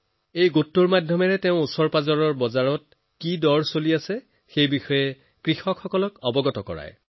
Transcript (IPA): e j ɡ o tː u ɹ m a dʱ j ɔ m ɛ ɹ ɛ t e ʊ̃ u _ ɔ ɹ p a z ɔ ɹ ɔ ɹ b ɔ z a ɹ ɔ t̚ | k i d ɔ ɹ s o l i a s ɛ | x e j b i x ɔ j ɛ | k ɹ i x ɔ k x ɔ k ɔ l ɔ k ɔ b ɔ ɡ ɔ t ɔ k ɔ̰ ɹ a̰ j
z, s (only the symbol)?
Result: s